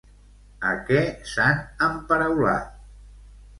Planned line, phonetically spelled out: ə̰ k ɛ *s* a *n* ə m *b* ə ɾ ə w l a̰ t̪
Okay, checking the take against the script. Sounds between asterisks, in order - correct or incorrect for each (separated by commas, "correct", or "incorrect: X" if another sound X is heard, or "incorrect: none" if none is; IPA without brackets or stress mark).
correct, correct, incorrect: p